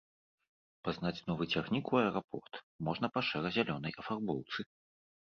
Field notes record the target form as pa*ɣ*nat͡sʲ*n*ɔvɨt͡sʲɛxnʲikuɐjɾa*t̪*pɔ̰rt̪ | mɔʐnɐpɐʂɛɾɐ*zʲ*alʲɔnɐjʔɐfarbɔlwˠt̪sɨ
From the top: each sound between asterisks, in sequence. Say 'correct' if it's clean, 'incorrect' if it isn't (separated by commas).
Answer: incorrect, correct, incorrect, correct